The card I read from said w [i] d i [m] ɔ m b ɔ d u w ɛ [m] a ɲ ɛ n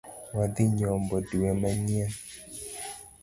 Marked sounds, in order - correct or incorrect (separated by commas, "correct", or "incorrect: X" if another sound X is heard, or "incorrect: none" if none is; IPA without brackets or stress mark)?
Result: incorrect: a, incorrect: ɲ, correct